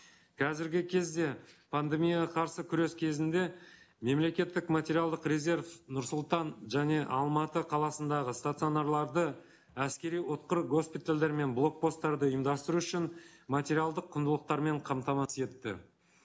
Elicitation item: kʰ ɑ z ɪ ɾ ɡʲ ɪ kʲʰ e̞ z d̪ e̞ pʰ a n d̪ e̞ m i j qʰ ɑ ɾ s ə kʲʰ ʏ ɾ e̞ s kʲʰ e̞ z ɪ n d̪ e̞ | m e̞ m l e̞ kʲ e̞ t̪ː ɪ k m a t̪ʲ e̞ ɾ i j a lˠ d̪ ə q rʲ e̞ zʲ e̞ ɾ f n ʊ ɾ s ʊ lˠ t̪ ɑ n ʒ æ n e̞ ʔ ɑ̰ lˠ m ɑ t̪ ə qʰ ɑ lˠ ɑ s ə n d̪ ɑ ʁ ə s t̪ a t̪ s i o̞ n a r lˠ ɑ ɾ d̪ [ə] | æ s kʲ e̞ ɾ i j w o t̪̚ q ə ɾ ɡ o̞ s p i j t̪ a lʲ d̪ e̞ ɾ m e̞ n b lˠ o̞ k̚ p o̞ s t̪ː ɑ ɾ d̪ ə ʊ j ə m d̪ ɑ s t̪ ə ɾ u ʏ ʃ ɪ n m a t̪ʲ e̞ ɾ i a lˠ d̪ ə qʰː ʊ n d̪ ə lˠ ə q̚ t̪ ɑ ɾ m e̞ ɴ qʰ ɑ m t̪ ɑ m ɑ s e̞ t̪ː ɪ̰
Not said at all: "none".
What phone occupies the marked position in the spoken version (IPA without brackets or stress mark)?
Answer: ə